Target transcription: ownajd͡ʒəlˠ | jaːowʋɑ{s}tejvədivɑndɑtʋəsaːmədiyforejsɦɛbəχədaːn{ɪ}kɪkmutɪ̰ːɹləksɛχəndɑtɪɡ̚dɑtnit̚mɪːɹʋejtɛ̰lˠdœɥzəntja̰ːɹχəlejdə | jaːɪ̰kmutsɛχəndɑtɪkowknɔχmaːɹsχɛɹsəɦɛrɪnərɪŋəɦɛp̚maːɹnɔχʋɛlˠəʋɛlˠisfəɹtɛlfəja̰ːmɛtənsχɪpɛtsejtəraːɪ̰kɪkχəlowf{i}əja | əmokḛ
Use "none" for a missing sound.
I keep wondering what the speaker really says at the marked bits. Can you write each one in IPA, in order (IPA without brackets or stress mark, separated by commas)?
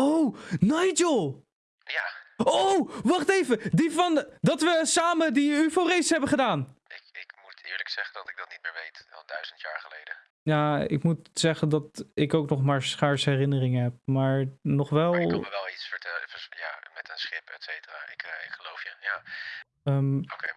χ, ɪ, j